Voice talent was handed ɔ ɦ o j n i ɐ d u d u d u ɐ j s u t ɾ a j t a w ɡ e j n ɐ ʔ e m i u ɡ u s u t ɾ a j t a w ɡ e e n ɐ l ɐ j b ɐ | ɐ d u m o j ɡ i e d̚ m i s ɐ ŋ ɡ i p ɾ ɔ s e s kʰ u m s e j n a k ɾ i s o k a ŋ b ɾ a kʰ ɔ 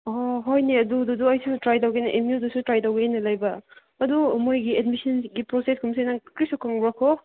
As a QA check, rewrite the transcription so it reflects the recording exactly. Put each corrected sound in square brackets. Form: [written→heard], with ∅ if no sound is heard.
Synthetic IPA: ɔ ɦ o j n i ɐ d u d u d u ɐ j s u t ɾ a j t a w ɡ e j n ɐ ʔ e m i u [ɡ→d] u s u t ɾ a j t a w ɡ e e n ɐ l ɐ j b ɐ | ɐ d u m o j ɡ i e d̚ m i s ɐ [ŋ→n] ɡ i p ɾ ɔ s e s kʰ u m s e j n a k ɾ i s [o→u] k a ŋ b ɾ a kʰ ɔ